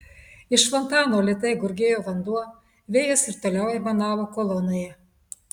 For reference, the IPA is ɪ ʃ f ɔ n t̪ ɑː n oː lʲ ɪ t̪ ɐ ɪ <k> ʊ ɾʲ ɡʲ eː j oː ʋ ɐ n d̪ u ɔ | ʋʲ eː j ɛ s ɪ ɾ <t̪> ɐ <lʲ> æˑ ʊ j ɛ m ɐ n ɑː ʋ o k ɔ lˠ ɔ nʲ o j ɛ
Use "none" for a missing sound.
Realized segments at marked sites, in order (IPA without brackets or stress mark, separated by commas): ɡ, t̪, lʲ